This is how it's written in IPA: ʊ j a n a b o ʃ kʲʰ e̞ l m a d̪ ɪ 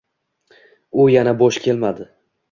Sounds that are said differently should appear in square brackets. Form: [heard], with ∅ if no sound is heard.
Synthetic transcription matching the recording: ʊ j a n a b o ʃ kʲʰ e̞ l m a d̪ ɪ